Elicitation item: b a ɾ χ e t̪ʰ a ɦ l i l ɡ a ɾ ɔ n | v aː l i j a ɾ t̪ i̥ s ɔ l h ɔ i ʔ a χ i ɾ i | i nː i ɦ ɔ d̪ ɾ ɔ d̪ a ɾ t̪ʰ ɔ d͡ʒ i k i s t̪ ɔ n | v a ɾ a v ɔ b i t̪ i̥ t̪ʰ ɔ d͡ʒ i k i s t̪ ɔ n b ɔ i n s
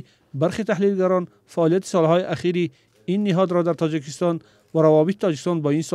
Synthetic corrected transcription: b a ɾ χ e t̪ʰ a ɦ l i l ɡ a ɾ ɔ n | f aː l i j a t̪ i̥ s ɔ l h ɔ i ʔ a χ i ɾ i | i nː i ɦ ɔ d̪ ɾ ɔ d̪ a ɾ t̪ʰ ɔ d͡ʒ i k i s t̪ ɔ n | v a ɾ a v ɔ b i t̪ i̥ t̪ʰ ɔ d͡ʒ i k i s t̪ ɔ n b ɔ i n s